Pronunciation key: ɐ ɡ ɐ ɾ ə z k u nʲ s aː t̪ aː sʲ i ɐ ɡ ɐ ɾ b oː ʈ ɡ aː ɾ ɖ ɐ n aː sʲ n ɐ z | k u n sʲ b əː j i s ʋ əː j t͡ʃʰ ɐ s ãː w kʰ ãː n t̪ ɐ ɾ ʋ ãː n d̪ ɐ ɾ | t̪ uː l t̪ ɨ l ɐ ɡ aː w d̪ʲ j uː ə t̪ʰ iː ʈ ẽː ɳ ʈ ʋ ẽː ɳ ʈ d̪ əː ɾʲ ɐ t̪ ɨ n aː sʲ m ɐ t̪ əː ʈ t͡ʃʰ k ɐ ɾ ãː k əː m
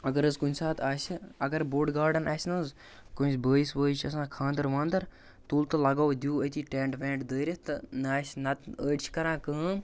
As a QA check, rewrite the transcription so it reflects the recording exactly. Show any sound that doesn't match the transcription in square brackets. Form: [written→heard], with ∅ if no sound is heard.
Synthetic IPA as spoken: ɐ ɡ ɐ ɾ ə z k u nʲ s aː t̪ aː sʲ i ɐ ɡ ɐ ɾ b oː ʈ ɡ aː ɾ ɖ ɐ n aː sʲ n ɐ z | k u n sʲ b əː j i s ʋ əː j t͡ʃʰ ɐ s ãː [w→∅] kʰ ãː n [t̪→d̪] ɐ ɾ ʋ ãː n d̪ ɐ ɾ | t̪ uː l t̪ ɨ l ɐ ɡ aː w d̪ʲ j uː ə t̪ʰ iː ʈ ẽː ɳ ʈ ʋ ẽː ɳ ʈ d̪ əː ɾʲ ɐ t̪ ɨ n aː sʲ [m→n] ɐ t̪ əː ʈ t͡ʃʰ k ɐ ɾ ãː k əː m